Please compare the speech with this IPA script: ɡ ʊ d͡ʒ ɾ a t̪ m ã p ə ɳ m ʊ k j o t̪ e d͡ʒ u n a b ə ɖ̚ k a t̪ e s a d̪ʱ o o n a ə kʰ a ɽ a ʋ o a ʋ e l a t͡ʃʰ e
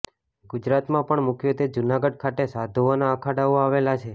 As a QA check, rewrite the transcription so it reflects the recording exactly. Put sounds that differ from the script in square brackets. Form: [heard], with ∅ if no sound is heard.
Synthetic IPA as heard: ɡ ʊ d͡ʒ ɾ a t̪ m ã p ə ɳ m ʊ k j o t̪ e d͡ʒ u n a [ɡ] ə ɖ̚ [kʰ] a t̪ e s a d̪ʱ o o n a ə kʰ a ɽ a ʋ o a ʋ e l a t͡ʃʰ e